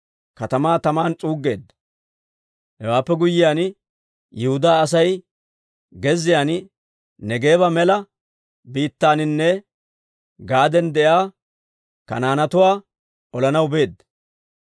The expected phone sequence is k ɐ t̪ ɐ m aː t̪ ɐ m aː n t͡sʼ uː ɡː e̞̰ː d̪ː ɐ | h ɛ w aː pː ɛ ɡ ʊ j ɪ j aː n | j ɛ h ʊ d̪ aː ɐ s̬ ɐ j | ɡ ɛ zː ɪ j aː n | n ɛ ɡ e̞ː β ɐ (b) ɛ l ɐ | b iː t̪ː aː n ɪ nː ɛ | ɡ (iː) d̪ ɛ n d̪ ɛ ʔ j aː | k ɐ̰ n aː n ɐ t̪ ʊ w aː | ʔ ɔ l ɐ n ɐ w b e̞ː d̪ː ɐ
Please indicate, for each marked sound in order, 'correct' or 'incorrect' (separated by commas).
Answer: incorrect, incorrect